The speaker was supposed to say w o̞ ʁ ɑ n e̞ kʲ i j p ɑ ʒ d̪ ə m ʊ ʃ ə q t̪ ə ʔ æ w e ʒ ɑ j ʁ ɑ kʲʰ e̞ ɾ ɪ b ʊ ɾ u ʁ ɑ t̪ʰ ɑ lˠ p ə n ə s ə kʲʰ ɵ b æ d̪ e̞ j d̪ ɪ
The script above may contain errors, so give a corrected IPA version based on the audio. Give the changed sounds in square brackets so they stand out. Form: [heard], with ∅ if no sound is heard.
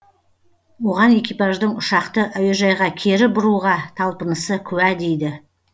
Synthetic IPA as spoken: w o̞ ʁ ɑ n e̞ kʲ i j p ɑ ʒ d̪ ə [ɴ] ʊ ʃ [ɑ] q t̪ ə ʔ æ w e ʒ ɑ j ʁ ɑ kʲʰ e̞ ɾ ɪ b ʊ ɾ u ʁ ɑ t̪ʰ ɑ lˠ p ə n ə s ə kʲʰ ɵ [w] æ d̪ e̞ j d̪ ɪ